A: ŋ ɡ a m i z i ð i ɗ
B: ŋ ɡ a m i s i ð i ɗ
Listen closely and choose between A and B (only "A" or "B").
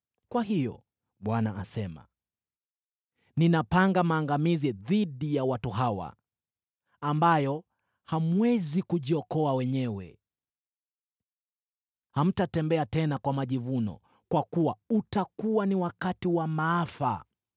A